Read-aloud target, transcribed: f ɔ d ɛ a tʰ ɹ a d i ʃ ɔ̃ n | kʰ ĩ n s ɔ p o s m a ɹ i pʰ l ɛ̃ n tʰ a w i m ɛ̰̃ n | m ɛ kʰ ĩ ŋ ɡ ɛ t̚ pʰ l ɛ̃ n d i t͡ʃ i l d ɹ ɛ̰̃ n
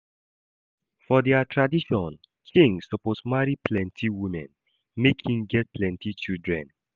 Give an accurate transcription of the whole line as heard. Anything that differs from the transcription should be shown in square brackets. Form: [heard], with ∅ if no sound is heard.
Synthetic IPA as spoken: f ɔ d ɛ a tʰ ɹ a d i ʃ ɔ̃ n | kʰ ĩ [ŋ] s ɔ p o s m a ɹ i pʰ l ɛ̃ n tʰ [i] w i m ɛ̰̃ n | m [e] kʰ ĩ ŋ ɡ ɛ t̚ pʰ l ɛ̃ n [t] i t͡ʃ i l d ɹ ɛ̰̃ n